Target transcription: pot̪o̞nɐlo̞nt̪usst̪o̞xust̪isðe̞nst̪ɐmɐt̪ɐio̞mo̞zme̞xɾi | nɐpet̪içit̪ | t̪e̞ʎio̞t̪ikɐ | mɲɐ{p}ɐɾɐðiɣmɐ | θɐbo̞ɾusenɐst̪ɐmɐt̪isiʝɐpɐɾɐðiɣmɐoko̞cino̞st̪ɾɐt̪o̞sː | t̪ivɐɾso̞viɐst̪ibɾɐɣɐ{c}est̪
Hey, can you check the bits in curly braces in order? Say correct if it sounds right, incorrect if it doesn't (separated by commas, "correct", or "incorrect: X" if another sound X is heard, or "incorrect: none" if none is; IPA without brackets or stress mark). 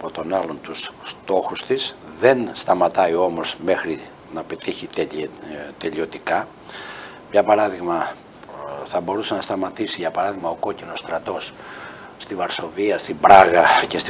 correct, correct